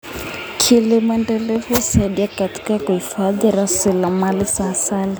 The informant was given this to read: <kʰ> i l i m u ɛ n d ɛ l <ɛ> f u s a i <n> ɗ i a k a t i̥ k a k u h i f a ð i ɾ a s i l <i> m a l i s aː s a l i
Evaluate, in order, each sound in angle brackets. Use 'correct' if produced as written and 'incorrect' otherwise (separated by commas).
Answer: correct, correct, incorrect, incorrect